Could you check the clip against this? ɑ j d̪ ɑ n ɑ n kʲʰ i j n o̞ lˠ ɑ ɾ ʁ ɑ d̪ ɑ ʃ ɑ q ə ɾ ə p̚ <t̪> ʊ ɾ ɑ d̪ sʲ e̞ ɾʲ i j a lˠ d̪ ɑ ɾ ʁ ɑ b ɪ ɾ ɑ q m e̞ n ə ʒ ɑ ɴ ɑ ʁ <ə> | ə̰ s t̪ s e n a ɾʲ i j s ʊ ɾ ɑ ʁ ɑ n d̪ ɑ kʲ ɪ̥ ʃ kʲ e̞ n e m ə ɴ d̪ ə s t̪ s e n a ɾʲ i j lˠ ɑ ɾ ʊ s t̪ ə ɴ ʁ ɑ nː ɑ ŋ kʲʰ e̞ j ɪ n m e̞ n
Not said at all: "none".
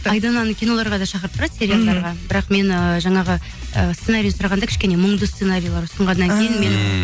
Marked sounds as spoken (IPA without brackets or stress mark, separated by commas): t̪, ə